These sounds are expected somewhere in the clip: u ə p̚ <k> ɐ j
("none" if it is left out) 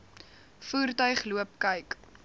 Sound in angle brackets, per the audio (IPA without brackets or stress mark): k